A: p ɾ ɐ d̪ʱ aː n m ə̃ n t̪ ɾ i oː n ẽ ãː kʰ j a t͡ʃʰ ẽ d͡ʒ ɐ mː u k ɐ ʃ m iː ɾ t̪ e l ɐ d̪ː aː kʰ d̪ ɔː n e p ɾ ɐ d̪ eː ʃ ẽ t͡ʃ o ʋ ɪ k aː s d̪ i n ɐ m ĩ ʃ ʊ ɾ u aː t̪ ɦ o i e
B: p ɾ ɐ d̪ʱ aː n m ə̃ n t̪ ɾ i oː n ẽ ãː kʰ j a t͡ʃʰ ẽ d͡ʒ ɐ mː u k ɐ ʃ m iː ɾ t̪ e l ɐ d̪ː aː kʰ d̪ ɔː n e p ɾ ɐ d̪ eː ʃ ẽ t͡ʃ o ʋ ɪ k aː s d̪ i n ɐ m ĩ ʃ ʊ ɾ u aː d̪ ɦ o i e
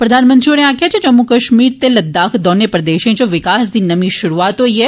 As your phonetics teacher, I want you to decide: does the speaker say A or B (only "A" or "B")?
A